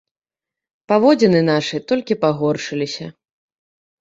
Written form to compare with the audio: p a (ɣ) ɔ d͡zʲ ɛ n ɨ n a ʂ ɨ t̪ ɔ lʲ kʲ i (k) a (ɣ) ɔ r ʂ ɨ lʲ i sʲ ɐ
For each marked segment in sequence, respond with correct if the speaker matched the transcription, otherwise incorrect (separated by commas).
incorrect, incorrect, correct